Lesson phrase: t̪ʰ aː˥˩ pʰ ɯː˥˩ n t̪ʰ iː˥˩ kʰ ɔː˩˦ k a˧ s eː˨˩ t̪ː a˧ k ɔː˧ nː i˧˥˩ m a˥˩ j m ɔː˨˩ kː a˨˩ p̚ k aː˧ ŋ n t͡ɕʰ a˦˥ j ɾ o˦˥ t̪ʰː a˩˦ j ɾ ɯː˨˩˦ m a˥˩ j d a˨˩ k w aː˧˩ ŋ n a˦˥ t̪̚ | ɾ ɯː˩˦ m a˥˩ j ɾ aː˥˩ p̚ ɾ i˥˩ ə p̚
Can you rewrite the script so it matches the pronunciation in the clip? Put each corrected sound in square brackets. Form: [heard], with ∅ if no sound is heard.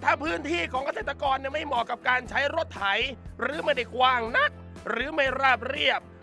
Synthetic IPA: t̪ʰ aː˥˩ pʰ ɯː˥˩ n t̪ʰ iː˥˩ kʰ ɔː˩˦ k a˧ s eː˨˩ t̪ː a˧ k ɔː˧ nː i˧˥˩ m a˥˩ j m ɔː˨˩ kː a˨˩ p̚ k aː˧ [∅] n t͡ɕʰ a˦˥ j ɾ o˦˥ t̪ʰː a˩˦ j ɾ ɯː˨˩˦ m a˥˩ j d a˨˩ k w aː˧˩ ŋ n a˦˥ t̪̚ | ɾ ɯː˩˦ m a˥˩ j ɾ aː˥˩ p̚ ɾ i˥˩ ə p̚